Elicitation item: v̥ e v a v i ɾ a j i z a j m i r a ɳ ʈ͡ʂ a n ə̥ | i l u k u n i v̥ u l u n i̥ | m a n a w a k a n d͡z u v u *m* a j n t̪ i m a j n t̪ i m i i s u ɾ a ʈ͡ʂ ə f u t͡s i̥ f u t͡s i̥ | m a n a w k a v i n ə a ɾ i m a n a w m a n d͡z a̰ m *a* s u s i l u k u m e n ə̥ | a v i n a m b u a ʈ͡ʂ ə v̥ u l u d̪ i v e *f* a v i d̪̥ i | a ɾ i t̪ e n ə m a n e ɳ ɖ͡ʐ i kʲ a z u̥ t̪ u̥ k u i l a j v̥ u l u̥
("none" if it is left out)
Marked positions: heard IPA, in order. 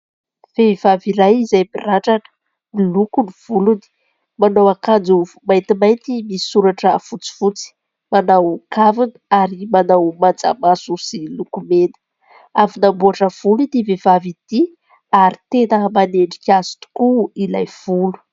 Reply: m, a, v

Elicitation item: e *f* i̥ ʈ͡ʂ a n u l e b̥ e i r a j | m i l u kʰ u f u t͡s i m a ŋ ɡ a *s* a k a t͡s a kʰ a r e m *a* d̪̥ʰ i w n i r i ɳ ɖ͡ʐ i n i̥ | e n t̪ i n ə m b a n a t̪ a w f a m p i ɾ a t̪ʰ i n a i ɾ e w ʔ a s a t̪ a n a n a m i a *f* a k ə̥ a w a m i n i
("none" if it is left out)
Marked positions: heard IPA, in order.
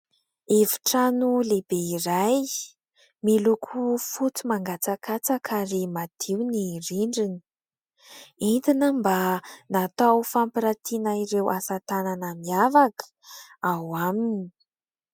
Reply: v, t͡s, a, v

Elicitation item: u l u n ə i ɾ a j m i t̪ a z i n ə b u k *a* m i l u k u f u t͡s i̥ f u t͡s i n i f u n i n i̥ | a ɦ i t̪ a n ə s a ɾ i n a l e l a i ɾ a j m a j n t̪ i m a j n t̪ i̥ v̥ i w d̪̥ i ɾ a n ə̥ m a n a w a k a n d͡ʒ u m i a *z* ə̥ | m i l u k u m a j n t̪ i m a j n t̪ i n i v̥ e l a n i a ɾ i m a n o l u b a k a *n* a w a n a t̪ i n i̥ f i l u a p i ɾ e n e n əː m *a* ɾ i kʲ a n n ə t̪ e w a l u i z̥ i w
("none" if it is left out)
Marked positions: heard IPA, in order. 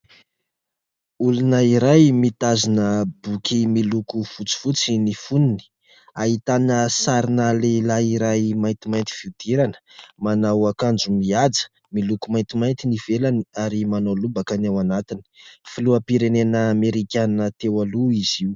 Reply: i, d͡z, n, e

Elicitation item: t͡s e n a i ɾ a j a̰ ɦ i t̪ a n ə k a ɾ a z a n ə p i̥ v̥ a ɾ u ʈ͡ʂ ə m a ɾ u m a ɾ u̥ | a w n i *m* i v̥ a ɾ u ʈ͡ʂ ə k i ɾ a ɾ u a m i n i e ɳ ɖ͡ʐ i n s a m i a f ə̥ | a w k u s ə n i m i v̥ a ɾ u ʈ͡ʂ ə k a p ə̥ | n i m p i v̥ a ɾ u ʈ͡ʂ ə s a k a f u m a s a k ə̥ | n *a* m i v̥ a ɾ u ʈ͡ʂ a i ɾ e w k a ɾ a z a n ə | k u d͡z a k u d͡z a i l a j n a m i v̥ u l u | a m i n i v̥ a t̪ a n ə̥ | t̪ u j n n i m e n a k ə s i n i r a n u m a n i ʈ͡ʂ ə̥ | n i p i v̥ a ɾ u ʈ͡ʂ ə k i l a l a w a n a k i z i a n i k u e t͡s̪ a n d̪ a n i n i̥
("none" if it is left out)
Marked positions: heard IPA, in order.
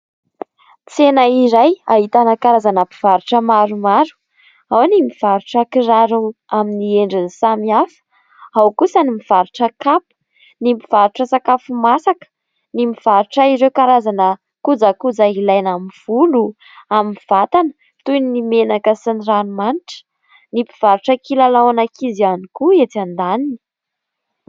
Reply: m, i

